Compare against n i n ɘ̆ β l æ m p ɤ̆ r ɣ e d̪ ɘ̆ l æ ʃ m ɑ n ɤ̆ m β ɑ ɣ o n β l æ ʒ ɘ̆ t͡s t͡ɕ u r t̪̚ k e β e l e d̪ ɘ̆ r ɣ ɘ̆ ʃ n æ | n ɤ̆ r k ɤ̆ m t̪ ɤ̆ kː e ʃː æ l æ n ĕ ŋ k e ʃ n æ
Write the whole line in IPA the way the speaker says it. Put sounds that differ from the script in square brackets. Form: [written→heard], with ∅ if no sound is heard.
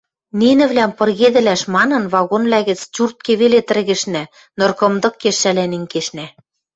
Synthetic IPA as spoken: n i n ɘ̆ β l æ m p ɤ̆ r ɣ e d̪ ɘ̆ l æ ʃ m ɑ n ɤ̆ [m→n] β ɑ ɣ o n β l æ [ʒ→ɣ] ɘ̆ t͡s t͡ɕ u r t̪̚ k e β e l e [d̪→t̪] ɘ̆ r ɣ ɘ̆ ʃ n æ | n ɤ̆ r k ɤ̆ m [t̪→d̪] ɤ̆ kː e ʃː æ l æ n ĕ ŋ k e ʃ n æ